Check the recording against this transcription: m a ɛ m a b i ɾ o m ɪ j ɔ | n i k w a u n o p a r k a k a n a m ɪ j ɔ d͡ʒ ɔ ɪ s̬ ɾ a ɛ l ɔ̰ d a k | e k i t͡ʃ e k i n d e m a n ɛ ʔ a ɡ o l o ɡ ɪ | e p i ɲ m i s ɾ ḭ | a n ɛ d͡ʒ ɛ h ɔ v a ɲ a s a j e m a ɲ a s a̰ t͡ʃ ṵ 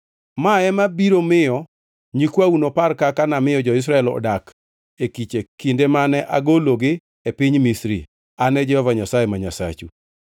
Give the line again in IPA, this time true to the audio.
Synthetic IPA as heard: m a ɛ m a b i ɾ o m ɪ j ɔ | ɲ i k w a u n o p a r k a k a n a m ɪ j ɔ d͡ʒ ɔ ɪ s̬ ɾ a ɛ l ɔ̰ d a k | e k i t͡ʃ e k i n d e m a n ɛ ʔ a ɡ o l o ɡ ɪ | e p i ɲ m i s ɾ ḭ | a n ɛ d͡ʒ ɛ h ɔ v a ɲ a s a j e m a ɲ a s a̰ t͡ʃ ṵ